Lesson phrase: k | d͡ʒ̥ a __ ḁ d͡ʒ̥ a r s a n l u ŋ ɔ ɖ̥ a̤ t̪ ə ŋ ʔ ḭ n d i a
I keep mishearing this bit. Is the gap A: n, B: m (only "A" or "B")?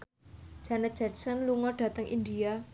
A